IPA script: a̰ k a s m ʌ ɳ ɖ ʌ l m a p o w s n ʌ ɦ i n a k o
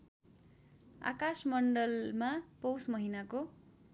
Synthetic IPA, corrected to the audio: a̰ k a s m ʌ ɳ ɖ ʌ l m a p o w s m ʌ ɦ i n a k o